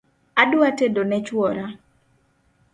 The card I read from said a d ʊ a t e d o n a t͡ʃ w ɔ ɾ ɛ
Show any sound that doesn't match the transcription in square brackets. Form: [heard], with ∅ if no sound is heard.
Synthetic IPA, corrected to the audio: a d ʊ a t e d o n [ɛ] t͡ʃ w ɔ ɾ [a]